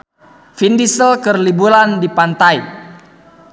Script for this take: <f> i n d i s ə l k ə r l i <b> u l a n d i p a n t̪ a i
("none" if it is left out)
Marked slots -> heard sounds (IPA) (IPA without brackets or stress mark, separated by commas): f, b